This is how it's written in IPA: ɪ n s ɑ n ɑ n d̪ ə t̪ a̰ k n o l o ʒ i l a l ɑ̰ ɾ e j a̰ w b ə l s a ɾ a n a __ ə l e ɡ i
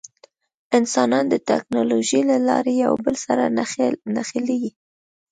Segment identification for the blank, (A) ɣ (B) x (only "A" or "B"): B